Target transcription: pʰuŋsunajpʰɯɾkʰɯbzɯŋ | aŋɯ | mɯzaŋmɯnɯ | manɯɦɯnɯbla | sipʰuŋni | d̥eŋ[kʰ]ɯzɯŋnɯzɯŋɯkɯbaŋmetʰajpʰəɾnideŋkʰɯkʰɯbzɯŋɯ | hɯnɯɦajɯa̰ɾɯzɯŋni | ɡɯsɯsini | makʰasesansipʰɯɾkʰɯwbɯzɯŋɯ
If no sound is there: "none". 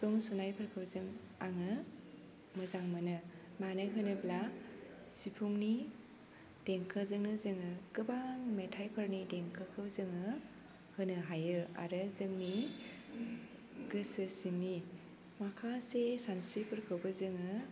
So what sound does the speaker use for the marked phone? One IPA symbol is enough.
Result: kʰ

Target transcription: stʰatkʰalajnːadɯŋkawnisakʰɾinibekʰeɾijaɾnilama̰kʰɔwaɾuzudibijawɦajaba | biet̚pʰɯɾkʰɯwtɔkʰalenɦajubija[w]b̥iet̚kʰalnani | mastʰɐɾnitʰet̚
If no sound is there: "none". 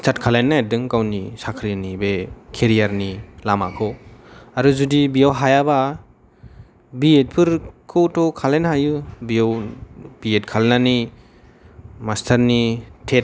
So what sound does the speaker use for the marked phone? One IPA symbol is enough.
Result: w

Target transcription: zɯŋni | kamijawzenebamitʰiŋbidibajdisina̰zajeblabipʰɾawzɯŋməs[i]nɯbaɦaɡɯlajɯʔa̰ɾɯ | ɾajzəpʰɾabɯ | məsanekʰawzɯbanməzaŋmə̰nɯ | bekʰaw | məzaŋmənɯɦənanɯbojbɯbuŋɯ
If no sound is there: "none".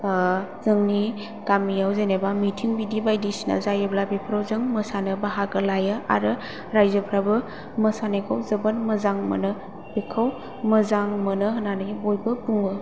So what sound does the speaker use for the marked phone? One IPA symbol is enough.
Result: a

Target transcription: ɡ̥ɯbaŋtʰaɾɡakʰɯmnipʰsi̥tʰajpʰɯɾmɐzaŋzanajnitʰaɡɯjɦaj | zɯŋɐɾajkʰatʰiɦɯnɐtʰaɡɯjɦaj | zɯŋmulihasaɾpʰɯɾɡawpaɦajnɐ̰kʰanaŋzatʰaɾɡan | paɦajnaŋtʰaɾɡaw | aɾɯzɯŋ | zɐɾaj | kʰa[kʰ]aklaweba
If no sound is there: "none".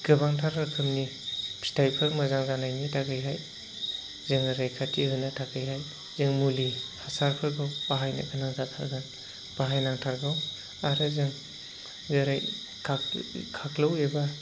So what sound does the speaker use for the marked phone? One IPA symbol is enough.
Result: kʰ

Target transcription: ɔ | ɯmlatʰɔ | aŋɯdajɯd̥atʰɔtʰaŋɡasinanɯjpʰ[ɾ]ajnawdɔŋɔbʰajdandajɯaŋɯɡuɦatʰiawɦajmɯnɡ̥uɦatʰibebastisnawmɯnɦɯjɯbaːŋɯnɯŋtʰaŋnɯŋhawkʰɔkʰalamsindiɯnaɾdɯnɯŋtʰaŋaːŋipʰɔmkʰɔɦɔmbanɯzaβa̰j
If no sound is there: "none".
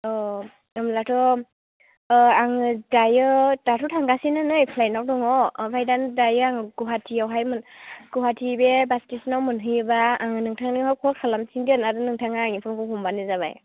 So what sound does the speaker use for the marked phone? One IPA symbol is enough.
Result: l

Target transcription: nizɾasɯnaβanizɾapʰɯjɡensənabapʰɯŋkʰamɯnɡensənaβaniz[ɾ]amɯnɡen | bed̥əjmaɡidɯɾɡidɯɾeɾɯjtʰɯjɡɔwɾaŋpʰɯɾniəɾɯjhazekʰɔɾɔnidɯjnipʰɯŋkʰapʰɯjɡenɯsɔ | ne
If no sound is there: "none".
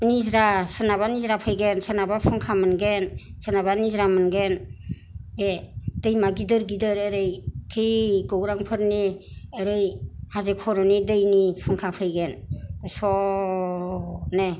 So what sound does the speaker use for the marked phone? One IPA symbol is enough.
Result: ɾ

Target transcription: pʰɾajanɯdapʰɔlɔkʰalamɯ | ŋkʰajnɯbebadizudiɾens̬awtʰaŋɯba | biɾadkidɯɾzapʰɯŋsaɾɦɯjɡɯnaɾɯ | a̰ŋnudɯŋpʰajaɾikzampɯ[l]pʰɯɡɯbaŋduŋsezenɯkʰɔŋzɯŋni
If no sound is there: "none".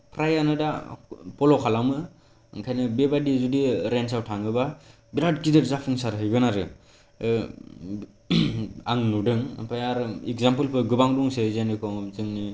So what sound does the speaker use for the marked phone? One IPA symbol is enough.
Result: l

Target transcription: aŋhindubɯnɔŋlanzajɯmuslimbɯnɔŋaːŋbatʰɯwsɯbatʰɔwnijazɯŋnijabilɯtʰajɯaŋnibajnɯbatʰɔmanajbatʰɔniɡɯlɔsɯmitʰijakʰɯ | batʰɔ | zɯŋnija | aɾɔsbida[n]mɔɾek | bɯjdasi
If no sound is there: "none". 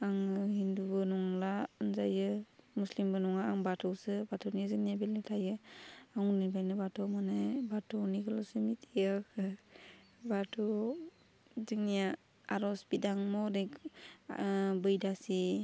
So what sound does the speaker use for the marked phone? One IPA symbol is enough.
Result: ŋ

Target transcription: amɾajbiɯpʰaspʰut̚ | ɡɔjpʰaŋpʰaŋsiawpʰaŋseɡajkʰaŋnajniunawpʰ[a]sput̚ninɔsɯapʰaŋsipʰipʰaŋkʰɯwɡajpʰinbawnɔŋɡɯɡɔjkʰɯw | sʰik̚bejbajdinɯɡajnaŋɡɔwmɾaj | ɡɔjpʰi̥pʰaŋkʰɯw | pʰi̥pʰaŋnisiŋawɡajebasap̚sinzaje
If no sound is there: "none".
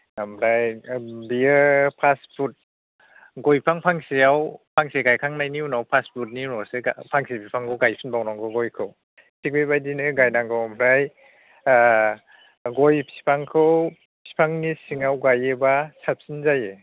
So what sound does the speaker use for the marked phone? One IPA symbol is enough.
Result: a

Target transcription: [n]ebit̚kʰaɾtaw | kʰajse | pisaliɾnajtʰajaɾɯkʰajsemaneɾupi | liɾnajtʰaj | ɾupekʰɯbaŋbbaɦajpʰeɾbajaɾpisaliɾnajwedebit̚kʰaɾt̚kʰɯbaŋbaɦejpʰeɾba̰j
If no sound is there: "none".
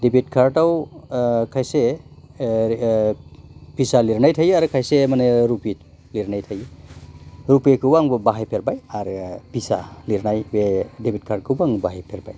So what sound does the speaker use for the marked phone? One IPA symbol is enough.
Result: d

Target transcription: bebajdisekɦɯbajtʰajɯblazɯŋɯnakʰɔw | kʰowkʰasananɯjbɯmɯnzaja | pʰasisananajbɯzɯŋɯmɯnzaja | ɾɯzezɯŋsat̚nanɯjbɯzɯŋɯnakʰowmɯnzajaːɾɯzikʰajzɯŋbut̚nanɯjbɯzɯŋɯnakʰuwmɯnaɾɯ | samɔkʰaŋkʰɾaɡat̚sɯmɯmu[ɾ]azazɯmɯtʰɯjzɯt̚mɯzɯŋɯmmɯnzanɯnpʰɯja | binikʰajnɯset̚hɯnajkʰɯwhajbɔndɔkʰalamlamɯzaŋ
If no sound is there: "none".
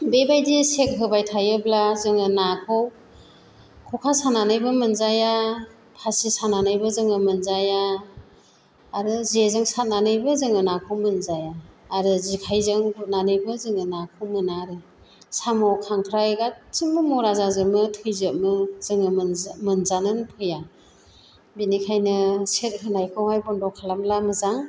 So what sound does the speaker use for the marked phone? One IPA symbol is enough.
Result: ɾ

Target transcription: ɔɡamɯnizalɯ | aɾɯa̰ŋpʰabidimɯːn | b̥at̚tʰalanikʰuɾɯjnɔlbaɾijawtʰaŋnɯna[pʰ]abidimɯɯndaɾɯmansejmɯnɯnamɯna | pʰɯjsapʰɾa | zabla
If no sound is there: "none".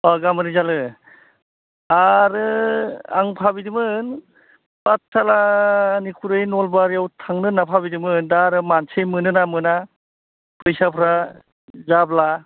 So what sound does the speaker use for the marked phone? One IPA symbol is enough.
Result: pʰ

